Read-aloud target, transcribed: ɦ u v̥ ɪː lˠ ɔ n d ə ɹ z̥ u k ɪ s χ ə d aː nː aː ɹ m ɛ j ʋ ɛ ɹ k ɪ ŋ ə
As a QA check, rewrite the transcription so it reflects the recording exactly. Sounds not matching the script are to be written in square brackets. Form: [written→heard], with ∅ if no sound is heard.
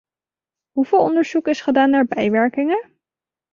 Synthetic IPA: ɦ u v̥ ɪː lˠ ɔ n d ə ɹ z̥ u k ɪ s χ ə d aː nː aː ɹ [m→b] ɛ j ʋ ɛ ɹ k ɪ ŋ ə

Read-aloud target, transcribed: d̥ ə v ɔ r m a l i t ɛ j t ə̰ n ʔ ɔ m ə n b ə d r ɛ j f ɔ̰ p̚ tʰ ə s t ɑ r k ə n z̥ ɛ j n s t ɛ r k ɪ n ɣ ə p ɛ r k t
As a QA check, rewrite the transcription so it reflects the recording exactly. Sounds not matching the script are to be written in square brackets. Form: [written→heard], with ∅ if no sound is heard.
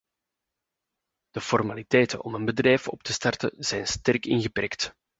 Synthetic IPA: d̥ ə [v→f] ɔ r m a l i t ɛ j t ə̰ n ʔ ɔ m ə n b ə d r ɛ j f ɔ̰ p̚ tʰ ə s t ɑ r [k→t] ə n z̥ ɛ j n s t ɛ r k ɪ n ɣ ə p ɛ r k t

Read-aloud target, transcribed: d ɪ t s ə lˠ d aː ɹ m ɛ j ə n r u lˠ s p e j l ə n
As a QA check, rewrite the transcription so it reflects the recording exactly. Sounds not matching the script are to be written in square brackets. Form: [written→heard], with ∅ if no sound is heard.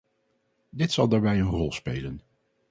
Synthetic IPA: d ɪ t s [ə→ɑ] lˠ d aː ɹ [m→b] ɛ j ə n r [u→ɔ] lˠ s p e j l ə n

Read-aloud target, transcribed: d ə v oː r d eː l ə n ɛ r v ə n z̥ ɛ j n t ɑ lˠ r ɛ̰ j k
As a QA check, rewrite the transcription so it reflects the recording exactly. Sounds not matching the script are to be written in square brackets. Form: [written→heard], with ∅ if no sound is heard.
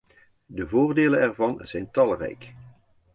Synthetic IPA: d ə v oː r d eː l ə n ɛ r v [ə→ɑ] n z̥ ɛ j n t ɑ lˠ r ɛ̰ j k

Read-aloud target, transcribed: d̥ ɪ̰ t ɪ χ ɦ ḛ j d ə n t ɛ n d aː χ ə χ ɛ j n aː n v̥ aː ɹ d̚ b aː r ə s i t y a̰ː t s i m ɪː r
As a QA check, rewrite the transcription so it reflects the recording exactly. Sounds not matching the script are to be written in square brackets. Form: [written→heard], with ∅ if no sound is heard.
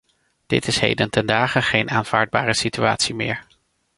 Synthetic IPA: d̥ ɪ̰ t ɪ [χ→s] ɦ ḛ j d ə n t ɛ n d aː χ ə χ [ɛ→e] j n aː n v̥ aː ɹ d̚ b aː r ə s i t y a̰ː t s i m ɪː [r→ɹ]

